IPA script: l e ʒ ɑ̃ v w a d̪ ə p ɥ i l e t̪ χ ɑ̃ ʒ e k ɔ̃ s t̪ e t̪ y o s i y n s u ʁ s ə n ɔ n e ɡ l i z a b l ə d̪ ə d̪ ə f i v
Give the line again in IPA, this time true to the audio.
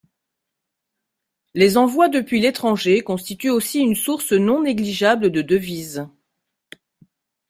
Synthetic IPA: l e z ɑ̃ v w a d̪ ə p ɥ i l e t̪ χ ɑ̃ ʒ e k ɔ̃ s t̪ i t̪ y o s i y n s u ʁ s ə n ɔ̃ n e ɡ l i ʒ a b l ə d̪ ə d̪ ə v i z

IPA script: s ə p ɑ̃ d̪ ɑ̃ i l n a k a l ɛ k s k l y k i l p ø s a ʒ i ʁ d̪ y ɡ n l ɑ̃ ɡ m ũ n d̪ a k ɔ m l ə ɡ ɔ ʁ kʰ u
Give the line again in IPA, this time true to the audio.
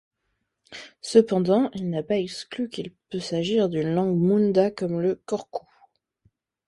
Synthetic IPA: s ə p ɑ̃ d̪ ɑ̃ i l n a p a ɛ k s k l y k i l p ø s a ʒ i ʁ d̪ y n l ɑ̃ ɡ m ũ n d̪ a k ɔ m l ə k ɔ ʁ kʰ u

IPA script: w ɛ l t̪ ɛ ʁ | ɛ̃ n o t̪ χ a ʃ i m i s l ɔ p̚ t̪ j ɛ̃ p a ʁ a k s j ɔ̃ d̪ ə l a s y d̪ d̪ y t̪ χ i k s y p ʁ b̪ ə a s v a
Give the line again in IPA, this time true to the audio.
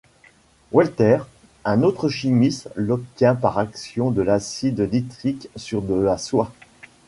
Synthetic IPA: w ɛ l t̪ ɛ ʁ | ɛ̃ n o t̪ χ ə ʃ i m i s l ɔ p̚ t̪ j ɛ̃ p a ʁ a k s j ɔ̃ d̪ ə l a s i d̪ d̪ i t̪ χ i k s y ʁ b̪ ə a s w a

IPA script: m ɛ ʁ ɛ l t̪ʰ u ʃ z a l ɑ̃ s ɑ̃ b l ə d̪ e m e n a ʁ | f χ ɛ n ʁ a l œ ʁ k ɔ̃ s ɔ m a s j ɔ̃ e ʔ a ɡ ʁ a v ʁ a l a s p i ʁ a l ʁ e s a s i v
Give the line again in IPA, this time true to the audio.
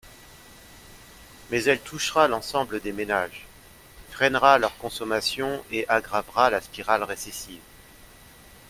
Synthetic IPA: m ɛ z ɛ l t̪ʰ u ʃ ʁ a l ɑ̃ s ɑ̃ b l ə d̪ e m e n a ʒ | f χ ɛ n ʁ a l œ ʁ k ɔ̃ s ɔ m a s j ɔ̃ e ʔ a ɡ ʁ a v ʁ a l a s p i ʁ a l ʁ e s e s i v

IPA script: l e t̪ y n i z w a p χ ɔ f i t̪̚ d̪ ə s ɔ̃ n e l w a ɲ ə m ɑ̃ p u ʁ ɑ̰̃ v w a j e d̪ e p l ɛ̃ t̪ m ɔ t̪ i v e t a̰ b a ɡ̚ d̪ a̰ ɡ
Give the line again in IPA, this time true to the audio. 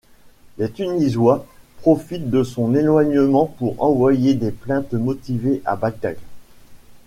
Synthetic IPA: l e t̪ y n i z w a p χ ɔ f i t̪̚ d̪ ə s ɔ̃ n e l w a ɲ ə m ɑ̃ p u ʁ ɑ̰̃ v w a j e d̪ e p l ɛ̃ t̪ m ɔ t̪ i v e ʔ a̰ b a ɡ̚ d̪ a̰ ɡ

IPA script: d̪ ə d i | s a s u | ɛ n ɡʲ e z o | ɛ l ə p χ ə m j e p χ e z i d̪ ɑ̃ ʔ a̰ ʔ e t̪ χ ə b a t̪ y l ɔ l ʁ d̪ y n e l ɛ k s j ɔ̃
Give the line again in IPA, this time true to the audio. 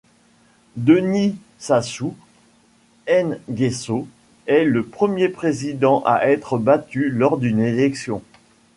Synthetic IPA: d̪ ə n i | s a s u | ɛ n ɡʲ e s o | ɛ l ə p χ ə m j e p χ e z i d̪ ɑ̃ ʔ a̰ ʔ ɛ t̪ χ ə b a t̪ y l ɔ ʁ d̪ y n e l ɛ k s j ɔ̃

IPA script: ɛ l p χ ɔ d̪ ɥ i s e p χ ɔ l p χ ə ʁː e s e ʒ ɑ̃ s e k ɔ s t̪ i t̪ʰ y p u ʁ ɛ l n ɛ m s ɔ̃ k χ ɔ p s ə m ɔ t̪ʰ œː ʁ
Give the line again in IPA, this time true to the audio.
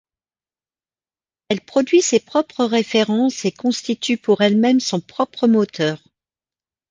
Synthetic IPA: ɛ l p χ ɔ d̪ ɥ i s e p χ ɔ p χ ə ʁ e f e ʁ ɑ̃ s e k ɔ̃ s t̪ i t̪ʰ y p u ʁ ɛ l m ɛ m s ɔ̃ p χ ɔ p χ ə m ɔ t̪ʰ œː ʁ

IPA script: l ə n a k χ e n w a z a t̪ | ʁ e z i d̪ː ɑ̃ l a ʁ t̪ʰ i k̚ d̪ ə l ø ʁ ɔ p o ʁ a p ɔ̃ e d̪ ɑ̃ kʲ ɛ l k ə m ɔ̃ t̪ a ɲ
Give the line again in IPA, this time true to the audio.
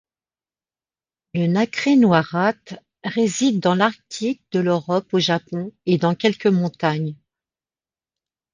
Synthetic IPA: l ə n a k χ e n w a ʁ a t̪ | ʁ e z i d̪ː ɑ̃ l a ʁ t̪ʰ i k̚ d̪ ə l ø ʁ ɔ p o ʒ a p ɔ̃ e d̪ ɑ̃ kʲ ɛ l k ə m ɔ̃ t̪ a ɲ

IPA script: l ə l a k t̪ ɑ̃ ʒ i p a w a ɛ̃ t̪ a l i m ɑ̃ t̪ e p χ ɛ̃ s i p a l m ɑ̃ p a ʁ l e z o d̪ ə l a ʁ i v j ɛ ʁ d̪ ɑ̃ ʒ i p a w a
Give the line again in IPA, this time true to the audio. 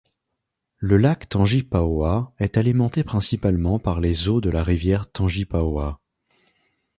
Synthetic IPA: l ə l a k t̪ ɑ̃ ʒ i p a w a ɛ t̪ a l i m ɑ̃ t̪ e p χ ɛ̃ s i p a l m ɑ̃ p a ʁ l e z o d̪ ə l a ʁ i v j ɛ ʁ t̪ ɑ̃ ʒ i p a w a

